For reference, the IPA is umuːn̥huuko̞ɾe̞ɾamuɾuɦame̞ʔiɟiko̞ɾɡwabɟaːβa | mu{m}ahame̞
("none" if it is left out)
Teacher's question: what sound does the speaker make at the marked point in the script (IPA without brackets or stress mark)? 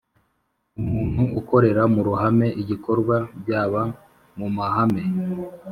m